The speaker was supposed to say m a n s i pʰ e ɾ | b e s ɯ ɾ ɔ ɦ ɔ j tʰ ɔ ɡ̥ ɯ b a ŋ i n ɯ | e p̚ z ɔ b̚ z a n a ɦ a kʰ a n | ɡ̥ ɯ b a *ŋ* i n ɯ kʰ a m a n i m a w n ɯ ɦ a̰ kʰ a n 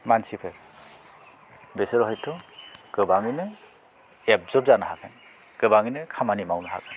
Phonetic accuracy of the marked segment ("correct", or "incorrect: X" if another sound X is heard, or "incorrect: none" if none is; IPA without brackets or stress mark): correct